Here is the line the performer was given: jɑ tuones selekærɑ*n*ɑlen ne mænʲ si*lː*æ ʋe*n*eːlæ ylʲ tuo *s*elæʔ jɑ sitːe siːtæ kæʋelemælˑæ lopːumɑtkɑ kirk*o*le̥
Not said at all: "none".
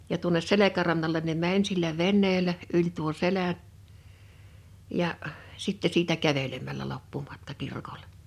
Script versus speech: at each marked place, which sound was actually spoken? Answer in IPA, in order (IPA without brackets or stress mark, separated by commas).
nː, lː, nː, s, o